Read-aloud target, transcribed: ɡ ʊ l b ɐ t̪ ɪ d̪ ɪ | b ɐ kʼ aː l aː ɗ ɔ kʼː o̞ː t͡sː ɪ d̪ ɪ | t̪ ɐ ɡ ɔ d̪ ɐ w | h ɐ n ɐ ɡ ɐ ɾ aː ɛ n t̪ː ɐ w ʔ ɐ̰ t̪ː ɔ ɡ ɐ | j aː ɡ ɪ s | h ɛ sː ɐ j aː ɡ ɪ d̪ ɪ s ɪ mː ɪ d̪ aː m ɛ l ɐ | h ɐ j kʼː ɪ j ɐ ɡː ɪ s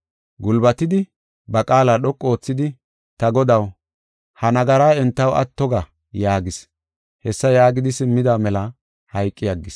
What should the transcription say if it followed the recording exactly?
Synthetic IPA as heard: ɡ ʊ l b ɐ t̪ ɪ d̪ ɪ | b ɐ kʼ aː l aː ɗ ɔ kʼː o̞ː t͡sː ɪ d̪ ɪ | t̪ ɐ ɡ ɔ d̪ ɐ w | h ɐ n ɐ ɡ ɐ ɾ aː ɛ n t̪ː ɐ w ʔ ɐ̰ t̪ː ɔ ɡ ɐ | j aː ɡ ɪ s | h ɛ sː ɐ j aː ɡ ɪ d̪ ɪ s ɪ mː ɪ d̪ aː m ɛ l ɐ | h ɐ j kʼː ɪ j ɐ ɡː ɪ s